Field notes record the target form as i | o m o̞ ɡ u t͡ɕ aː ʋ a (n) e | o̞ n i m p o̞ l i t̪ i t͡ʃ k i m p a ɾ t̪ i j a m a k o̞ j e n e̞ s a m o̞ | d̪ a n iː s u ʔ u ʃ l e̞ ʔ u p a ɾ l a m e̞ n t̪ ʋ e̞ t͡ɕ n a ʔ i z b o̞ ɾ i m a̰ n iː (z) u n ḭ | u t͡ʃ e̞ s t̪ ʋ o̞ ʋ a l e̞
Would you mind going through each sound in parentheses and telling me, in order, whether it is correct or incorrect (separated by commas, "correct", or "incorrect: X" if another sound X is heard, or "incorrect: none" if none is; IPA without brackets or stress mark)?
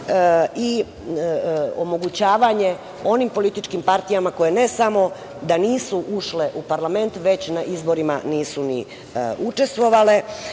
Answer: incorrect: ɲ, incorrect: s